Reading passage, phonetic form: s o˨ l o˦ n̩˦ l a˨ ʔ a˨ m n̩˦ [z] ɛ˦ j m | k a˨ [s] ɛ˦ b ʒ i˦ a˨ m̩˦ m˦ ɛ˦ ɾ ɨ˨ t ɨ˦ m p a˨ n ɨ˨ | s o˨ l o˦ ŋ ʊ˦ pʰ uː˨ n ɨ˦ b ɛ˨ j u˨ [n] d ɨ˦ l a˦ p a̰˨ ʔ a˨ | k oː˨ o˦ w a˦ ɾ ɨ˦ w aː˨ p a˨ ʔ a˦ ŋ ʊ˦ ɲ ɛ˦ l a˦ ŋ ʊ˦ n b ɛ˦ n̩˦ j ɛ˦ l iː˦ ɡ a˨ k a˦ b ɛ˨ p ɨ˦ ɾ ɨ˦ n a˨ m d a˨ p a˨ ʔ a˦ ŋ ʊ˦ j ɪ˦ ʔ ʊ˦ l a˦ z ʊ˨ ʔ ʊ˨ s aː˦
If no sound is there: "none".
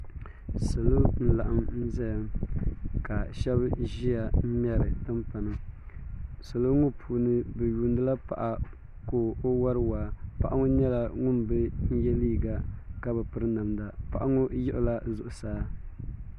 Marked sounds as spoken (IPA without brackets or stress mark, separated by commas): z, ʃ, n